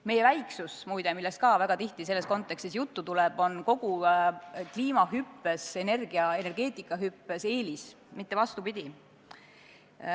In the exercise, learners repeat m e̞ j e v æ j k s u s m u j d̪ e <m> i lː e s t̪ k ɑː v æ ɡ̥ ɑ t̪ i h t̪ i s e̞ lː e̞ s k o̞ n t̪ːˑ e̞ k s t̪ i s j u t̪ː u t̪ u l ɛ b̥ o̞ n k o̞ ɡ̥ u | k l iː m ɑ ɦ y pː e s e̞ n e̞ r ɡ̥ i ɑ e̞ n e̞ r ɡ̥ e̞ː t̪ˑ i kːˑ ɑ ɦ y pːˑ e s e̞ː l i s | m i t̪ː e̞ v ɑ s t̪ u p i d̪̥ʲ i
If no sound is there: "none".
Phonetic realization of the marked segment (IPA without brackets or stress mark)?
m